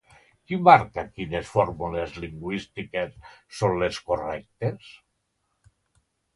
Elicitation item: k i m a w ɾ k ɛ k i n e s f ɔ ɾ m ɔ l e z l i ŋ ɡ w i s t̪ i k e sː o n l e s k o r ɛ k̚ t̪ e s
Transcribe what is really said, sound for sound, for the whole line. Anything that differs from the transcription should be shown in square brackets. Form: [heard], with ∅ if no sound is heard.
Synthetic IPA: k i m a [∅] ɾ k [a] k i n e s f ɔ ɾ m [u] l e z l i ŋ ɡ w i s t̪ i k e sː o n l e s k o r ɛ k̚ t̪ e s